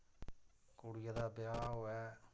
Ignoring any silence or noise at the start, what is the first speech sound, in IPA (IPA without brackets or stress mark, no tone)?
k